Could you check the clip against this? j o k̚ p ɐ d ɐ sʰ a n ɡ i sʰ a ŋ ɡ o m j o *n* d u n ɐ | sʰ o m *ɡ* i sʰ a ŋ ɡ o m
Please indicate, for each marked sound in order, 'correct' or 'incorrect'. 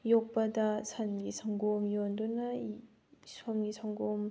correct, correct

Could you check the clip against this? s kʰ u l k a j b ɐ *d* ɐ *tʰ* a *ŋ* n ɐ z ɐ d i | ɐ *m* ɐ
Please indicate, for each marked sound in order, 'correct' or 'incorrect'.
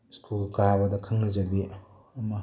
correct, incorrect: kʰ, correct, correct

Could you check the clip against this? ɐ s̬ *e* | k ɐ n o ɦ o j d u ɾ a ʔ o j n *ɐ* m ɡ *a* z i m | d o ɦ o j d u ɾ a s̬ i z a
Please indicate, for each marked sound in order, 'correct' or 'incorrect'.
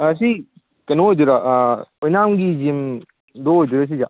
incorrect: i, incorrect: a, incorrect: i

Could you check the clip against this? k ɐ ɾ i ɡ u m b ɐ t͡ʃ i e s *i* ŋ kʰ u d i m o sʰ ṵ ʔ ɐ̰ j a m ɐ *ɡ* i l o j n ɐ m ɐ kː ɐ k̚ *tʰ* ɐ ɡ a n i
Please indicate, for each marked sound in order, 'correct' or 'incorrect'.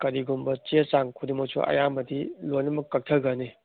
incorrect: a, incorrect: d, correct

